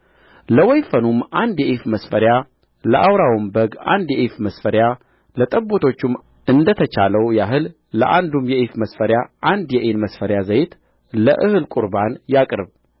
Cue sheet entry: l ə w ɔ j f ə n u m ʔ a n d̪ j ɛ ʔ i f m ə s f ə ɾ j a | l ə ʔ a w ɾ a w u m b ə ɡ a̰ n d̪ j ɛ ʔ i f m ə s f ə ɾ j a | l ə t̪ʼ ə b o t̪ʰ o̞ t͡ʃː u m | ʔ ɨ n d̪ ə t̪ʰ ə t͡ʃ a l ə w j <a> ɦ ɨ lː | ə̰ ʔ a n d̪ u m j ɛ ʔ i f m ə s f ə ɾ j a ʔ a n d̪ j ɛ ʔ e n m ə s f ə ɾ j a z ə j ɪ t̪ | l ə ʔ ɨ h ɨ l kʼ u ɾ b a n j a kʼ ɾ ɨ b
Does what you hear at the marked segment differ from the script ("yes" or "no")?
no